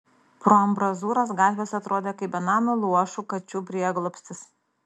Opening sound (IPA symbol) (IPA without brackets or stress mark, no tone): p